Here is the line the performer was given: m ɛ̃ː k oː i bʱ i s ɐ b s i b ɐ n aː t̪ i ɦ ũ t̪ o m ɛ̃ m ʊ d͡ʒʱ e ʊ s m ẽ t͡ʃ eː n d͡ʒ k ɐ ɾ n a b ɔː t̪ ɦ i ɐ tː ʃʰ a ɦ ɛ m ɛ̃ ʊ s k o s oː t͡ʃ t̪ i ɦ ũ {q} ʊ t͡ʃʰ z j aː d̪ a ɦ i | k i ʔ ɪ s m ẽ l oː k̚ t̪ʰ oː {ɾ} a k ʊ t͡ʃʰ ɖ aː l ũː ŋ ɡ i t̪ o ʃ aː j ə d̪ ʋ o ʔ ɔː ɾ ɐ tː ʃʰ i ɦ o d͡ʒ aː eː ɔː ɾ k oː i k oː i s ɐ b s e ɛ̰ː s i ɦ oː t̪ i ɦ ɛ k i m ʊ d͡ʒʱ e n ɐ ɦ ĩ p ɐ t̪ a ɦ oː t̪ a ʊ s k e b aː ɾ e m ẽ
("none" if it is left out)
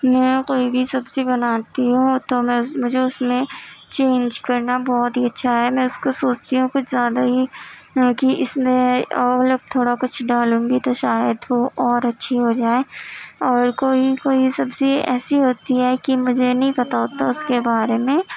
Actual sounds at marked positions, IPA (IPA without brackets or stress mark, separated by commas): k, ɽ